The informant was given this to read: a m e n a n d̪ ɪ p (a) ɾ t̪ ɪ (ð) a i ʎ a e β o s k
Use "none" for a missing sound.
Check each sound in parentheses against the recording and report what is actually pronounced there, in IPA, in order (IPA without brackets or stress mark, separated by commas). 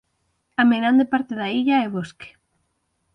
a, ð